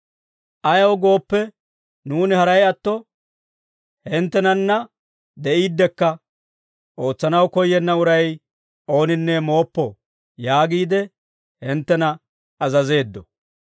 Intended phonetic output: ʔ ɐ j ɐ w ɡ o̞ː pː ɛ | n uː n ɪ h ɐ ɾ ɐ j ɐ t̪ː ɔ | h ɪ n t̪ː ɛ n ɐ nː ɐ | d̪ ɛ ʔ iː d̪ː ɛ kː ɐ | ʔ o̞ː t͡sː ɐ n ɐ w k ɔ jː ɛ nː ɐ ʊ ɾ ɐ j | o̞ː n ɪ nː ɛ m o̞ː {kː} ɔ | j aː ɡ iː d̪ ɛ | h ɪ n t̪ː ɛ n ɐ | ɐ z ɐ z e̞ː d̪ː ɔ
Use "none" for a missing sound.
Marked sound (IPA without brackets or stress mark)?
pː